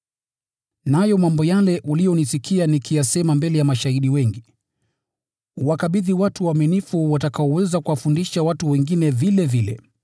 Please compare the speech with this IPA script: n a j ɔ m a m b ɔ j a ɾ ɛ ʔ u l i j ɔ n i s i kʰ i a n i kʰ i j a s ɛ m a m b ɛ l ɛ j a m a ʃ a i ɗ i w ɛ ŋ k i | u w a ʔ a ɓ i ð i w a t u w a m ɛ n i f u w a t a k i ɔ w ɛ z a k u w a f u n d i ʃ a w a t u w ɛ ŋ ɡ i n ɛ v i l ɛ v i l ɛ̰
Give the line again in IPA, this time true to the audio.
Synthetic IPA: n a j ɔ m a m b ɔ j a l ɛ ʔ u l i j ɔ n i s i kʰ i a n i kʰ i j a s ɛ m a m b ɛ l ɛ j a m a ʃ a i ɗ i w ɛ ŋ ɡ i | u w a k a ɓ i ð i w a t u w a m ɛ n i f u w a t a k a ɔ w ɛ z a k u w a f u n d i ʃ a w a t u w ɛ ŋ ɡ i n ɛ v i l ɛ v i l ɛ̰